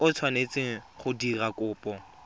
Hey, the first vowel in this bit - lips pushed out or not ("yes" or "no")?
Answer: yes